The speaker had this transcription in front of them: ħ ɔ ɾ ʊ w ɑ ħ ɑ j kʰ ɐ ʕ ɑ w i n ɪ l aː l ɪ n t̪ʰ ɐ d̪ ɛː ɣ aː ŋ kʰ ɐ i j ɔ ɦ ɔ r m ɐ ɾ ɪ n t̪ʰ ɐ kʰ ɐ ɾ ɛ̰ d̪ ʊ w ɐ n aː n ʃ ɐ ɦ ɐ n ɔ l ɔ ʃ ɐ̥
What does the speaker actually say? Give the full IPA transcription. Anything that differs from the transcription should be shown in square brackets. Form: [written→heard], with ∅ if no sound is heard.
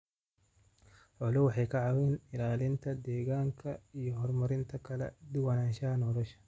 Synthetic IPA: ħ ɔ [ɾ→l] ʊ w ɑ ħ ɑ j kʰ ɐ ʕ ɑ w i n ɪ l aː l ɪ n t̪ʰ ɐ d̪ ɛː ɣ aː ŋ kʰ ɐ i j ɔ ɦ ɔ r m ɐ ɾ ɪ n t̪ʰ ɐ kʰ ɐ [ɾ→l] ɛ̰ d̪ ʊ w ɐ n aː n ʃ ɐ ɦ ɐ n ɔ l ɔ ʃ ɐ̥

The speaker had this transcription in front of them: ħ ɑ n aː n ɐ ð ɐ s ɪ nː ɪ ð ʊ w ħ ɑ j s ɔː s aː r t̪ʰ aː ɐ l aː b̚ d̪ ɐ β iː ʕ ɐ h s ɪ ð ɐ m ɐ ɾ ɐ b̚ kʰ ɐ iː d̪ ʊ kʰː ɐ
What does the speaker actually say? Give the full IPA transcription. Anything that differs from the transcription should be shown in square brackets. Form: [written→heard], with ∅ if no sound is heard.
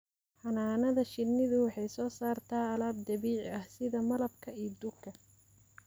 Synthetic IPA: ħ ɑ n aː n ɐ ð ɐ [s→ʃ] ɪ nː ɪ ð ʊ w ħ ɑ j s ɔː s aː r t̪ʰ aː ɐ l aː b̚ d̪ ɐ β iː ʕ ɐ h s ɪ ð ɐ m ɐ [ɾ→l] ɐ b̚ kʰ ɐ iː d̪ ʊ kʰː ɐ

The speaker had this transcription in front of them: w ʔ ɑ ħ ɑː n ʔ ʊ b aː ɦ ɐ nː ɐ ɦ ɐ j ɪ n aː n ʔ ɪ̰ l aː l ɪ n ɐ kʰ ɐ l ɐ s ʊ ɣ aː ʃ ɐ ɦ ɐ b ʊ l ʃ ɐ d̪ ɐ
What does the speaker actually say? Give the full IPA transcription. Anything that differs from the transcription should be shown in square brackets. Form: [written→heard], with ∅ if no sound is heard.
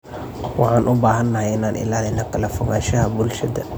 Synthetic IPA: w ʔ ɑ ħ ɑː n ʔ ʊ b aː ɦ ɐ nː ɐ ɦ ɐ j ɪ n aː n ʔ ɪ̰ l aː l ɪ n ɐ kʰ ɐ l ɐ [s→f] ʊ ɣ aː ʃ ɐ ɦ ɐ b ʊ l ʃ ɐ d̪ ɐ

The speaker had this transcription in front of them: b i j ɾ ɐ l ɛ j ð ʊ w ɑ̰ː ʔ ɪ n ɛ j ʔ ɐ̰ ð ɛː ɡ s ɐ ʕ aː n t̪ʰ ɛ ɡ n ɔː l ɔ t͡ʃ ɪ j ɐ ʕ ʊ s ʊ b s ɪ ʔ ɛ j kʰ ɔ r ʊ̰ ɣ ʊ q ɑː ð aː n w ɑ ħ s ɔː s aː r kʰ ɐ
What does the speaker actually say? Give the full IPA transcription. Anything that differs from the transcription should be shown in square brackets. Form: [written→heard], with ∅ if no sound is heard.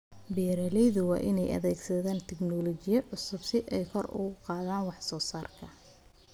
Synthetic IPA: b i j ɾ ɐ l ɛ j ð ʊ w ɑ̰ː ʔ ɪ n ɛ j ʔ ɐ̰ ð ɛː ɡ s ɐ [ʕ→ð] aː n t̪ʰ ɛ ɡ n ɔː l ɔ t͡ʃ ɪ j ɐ ʕ ʊ s ʊ b s ɪ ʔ ɛ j kʰ ɔ r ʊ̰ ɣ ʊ q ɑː ð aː n w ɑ ħ s ɔː s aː r kʰ ɐ

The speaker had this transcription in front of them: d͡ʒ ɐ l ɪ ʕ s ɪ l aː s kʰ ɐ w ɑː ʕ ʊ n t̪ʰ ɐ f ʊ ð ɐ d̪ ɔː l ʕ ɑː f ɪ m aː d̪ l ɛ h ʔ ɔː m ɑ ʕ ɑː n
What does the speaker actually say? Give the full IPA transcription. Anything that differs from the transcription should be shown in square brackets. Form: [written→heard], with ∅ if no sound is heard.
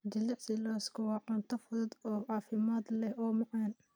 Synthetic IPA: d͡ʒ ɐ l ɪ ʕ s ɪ l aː s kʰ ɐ w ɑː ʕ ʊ n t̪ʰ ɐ f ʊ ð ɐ d̪ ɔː [l→∅] ʕ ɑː f ɪ m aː d̪ l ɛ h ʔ ɔː m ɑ ʕ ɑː n

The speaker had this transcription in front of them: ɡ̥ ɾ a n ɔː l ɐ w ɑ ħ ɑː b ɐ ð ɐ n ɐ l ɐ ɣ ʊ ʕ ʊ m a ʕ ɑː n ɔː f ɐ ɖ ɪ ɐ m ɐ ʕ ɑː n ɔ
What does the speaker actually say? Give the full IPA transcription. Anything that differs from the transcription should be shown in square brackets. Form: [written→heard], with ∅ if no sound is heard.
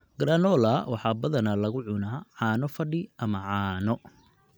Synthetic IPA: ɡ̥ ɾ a n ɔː l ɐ w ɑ ħ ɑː b ɐ ð ɐ n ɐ l ɐ ɣ ʊ ʕ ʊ [m→n] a ʕ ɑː n [ɔː→ɔ] f ɐ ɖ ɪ ɐ m ɐ ʕ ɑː n ɔ

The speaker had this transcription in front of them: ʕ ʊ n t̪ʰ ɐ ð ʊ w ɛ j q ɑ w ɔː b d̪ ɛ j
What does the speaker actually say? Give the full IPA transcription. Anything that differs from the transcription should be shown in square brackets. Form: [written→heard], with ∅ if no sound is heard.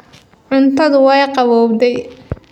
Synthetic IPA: ʕ ʊ n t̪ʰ ɐ ð ʊ w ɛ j q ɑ [w→β] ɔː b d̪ ɛ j

